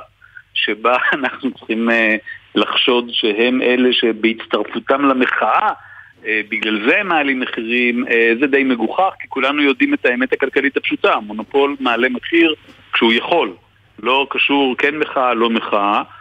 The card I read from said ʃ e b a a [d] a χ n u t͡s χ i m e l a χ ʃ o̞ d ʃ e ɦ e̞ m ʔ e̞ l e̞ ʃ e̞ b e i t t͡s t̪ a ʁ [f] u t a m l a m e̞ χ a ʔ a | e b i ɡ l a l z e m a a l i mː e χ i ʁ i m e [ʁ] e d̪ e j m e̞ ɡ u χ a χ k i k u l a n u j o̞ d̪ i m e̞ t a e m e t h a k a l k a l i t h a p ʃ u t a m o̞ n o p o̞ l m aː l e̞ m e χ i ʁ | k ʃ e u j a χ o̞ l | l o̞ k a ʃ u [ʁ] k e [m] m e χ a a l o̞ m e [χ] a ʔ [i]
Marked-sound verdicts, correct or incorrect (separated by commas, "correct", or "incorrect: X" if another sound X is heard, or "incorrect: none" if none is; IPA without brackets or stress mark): incorrect: n, correct, incorrect: z, correct, incorrect: n, correct, incorrect: a